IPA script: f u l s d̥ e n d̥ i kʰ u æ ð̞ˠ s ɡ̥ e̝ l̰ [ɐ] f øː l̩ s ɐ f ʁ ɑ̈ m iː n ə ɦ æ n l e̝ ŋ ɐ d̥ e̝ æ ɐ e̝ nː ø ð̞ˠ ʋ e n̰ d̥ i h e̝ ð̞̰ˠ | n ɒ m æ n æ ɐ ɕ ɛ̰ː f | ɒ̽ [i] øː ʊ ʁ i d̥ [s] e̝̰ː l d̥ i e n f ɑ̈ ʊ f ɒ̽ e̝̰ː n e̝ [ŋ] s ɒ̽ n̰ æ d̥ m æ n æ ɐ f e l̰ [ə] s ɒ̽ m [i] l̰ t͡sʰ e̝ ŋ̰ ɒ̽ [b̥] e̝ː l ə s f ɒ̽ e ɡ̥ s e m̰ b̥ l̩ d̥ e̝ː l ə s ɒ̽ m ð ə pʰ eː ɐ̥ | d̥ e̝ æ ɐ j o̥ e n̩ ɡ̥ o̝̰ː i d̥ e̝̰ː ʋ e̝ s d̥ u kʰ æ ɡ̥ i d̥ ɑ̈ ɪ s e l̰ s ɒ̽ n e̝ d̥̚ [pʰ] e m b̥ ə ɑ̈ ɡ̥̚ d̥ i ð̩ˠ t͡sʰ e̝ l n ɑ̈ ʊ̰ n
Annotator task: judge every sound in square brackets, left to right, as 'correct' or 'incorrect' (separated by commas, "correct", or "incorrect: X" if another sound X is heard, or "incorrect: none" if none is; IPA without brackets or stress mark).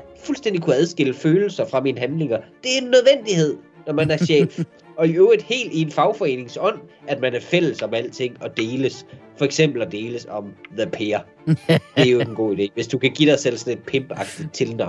incorrect: ə, correct, incorrect: h, correct, correct, incorrect: æ, incorrect: d̥, correct